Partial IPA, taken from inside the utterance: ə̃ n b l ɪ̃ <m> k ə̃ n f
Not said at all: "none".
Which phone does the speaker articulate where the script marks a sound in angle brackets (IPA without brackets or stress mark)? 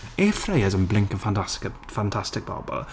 ŋ